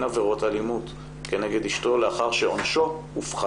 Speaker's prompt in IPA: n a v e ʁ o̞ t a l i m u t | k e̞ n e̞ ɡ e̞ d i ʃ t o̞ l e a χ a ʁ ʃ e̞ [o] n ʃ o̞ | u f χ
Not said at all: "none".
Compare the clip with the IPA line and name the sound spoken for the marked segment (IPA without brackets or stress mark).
o